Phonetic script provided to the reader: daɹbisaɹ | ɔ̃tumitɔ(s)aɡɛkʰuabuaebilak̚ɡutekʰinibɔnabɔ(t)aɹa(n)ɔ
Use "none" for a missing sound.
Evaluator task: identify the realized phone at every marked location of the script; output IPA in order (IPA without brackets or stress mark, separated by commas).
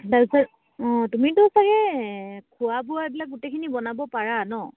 s, p, n